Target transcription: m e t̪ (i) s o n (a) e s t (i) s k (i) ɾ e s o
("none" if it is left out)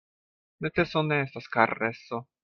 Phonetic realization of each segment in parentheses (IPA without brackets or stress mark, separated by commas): e, e, a, a